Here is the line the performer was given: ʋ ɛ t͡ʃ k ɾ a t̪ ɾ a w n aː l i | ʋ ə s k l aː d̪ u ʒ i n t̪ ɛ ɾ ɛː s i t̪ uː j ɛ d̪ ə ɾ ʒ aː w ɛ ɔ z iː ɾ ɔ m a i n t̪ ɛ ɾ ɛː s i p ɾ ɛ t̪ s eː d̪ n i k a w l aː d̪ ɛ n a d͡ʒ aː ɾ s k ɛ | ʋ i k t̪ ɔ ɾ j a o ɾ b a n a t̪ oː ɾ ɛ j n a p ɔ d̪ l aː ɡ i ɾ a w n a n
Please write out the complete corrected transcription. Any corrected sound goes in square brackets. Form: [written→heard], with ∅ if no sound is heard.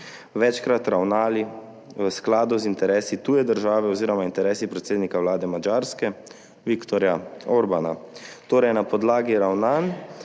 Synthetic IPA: ʋ ɛ t͡ʃ k ɾ a t̪ ɾ a w n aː l i | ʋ ə s k l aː d̪ u [ʒ→z] i n t̪ ɛ ɾ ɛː s i t̪ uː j ɛ d̪ ə ɾ ʒ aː [w→ʋ] ɛ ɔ z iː ɾ ɔ m a i n t̪ ɛ ɾ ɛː s i p ɾ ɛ t̪ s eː d̪ n i k a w l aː d̪ ɛ [n→m] a d͡ʒ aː ɾ s k ɛ | ʋ i k t̪ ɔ ɾ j a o ɾ b a n a t̪ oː ɾ ɛ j n a p ɔ d̪ l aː ɡ i ɾ a w n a n